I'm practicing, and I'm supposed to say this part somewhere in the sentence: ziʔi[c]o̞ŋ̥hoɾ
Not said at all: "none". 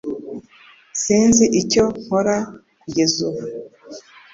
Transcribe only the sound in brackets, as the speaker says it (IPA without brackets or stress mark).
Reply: c